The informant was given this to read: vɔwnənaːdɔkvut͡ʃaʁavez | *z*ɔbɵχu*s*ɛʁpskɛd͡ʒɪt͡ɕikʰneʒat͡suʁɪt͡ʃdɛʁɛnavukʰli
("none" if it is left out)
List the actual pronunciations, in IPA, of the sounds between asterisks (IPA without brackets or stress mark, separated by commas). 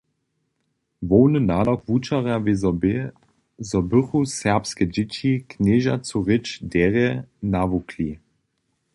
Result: z, s